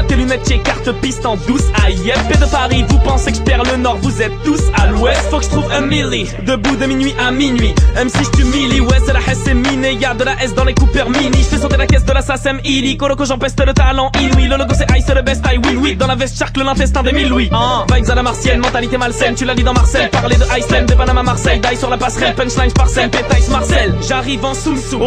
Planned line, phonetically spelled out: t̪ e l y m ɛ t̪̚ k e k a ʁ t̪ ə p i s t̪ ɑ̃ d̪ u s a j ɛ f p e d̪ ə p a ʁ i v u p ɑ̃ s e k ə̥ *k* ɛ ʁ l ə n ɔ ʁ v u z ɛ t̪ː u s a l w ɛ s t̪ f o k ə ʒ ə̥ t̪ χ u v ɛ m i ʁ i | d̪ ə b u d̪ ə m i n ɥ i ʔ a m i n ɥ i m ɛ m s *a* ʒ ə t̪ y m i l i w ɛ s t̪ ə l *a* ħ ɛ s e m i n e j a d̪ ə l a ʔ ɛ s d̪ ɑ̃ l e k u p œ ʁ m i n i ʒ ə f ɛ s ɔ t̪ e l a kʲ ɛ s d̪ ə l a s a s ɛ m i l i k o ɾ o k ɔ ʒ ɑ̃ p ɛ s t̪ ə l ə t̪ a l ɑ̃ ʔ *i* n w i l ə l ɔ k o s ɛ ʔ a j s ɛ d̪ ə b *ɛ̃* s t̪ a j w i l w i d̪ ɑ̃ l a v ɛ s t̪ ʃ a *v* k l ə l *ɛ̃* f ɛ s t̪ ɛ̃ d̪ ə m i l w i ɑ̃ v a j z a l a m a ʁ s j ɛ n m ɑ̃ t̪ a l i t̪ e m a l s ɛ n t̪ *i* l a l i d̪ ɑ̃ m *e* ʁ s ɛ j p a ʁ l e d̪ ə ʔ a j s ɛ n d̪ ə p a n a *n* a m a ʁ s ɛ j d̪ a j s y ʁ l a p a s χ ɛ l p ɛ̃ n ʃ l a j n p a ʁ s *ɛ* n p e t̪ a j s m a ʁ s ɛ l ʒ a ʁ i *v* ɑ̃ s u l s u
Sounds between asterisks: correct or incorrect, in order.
incorrect: p, incorrect: i, correct, correct, incorrect: ɛ, incorrect: ʁ, correct, incorrect: y, incorrect: a, incorrect: m, correct, correct

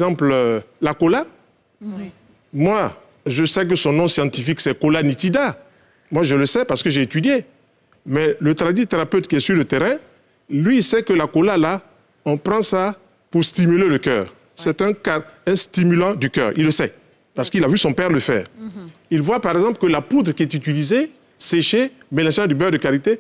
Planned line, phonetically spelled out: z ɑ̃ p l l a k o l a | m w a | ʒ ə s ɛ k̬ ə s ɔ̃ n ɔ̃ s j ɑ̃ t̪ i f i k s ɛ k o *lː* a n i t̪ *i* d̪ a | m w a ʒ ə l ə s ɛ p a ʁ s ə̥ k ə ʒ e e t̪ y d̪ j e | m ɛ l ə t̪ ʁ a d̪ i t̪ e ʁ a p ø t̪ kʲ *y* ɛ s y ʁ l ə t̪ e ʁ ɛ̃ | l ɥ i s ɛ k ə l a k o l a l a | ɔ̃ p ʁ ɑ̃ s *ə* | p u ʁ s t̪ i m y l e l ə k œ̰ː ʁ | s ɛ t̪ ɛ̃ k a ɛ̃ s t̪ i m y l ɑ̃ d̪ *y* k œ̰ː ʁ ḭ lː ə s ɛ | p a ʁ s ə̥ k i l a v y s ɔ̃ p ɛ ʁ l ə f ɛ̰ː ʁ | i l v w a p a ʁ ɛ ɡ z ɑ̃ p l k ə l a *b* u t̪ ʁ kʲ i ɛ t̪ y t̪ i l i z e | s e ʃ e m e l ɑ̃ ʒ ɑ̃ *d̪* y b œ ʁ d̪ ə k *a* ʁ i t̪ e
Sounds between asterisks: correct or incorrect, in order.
incorrect: l, correct, incorrect: i, incorrect: a, correct, incorrect: p, correct, correct

